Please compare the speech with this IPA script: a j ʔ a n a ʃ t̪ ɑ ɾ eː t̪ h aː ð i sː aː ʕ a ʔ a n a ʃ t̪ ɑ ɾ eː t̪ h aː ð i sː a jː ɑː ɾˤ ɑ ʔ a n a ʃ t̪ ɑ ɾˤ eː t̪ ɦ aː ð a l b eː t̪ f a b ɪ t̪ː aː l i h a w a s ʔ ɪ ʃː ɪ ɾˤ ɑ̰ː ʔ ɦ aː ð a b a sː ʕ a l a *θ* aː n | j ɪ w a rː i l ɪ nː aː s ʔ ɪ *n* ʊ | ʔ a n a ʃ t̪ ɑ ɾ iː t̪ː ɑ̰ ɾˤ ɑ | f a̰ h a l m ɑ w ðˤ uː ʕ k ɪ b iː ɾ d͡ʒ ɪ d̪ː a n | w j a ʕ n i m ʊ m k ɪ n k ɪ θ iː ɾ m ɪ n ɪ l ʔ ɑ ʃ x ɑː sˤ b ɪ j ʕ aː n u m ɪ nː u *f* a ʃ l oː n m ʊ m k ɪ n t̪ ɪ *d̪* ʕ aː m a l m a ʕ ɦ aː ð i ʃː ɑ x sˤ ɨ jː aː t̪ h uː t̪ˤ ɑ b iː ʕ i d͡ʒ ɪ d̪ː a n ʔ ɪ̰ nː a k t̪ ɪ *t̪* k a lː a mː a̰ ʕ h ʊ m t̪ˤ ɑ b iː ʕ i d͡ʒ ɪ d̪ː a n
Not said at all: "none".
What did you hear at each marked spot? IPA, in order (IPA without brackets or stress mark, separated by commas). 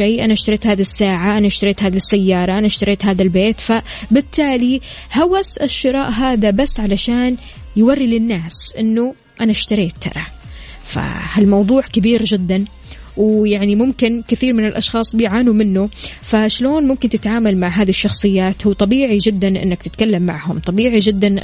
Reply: ʃ, nː, f, t̪, t̪